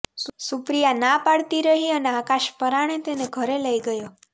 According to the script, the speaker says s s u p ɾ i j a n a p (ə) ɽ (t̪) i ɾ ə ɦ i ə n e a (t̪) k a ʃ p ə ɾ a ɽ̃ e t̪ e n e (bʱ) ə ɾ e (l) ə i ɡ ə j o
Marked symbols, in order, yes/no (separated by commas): no, yes, no, no, yes